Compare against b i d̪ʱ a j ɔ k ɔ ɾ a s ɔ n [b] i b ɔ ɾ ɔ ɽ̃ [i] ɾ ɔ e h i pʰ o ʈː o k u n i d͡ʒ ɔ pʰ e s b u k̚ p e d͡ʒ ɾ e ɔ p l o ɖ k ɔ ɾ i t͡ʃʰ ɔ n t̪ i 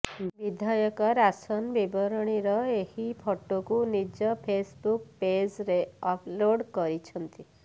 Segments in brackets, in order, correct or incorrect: correct, correct

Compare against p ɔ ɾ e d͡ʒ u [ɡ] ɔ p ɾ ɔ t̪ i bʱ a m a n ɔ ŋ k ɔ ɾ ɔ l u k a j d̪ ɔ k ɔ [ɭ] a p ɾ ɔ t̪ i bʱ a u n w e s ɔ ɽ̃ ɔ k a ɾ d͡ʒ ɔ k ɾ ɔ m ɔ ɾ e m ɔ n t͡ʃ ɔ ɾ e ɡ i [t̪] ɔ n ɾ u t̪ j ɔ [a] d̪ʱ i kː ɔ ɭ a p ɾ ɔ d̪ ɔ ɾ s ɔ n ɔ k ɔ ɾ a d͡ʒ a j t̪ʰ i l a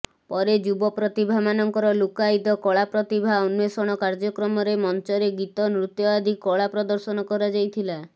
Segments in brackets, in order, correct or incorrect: incorrect, correct, correct, correct

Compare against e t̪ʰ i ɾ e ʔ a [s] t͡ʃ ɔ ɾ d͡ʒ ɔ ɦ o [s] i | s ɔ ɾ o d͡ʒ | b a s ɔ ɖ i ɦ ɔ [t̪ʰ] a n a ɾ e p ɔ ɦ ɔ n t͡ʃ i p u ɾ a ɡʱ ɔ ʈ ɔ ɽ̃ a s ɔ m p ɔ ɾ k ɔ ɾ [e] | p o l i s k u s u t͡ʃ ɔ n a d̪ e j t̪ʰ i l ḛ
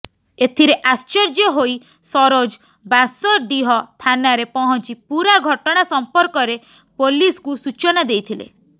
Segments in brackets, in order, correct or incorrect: correct, incorrect, correct, correct

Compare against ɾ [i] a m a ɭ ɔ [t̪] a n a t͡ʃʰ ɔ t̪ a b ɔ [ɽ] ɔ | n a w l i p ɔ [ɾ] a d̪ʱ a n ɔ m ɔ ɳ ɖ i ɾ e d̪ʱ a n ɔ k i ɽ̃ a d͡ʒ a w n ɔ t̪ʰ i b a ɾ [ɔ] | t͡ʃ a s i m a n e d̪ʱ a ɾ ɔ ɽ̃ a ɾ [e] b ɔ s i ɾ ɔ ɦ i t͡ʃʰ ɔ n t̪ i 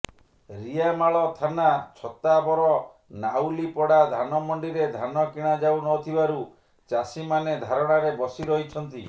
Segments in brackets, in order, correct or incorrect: correct, incorrect, incorrect, incorrect, incorrect, correct

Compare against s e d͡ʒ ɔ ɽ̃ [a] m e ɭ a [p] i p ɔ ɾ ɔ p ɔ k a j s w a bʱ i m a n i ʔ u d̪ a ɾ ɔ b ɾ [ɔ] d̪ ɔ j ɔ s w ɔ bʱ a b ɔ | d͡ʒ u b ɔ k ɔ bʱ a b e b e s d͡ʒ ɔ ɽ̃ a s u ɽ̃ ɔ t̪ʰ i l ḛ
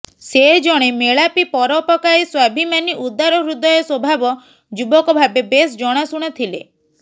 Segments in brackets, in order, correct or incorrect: incorrect, correct, incorrect

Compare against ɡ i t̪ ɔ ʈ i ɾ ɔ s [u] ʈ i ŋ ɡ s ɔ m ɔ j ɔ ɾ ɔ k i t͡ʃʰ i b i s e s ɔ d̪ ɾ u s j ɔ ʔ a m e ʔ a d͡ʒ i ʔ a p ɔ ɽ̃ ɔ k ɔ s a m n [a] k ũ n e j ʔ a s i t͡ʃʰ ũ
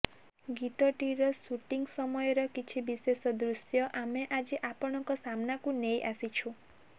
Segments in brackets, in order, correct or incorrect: correct, correct

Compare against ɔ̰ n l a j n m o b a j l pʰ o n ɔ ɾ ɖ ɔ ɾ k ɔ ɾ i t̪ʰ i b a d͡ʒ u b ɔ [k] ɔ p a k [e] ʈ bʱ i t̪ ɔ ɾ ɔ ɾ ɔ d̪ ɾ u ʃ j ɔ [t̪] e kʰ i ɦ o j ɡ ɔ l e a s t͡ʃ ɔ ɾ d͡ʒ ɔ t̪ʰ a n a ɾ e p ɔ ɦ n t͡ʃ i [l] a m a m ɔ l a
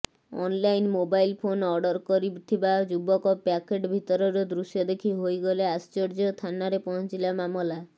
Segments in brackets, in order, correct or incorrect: correct, correct, incorrect, correct

